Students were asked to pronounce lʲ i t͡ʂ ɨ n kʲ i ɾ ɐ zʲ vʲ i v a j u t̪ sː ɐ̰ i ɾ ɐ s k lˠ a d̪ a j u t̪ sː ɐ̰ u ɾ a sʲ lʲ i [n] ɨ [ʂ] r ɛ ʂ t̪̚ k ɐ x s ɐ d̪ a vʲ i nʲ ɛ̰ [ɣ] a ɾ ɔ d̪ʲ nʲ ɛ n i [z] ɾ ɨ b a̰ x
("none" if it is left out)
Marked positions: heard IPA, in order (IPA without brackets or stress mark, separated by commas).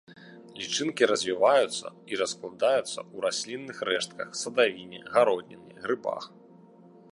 nː, x, ɣ, ɣ